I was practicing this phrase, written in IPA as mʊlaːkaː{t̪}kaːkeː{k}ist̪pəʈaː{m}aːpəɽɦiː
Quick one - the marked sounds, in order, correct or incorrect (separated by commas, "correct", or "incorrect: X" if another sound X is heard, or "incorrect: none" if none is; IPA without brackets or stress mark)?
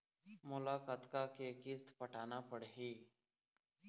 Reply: correct, correct, incorrect: n